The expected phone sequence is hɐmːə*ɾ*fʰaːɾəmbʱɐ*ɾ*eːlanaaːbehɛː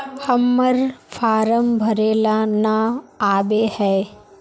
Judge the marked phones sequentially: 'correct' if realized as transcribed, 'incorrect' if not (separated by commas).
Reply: correct, correct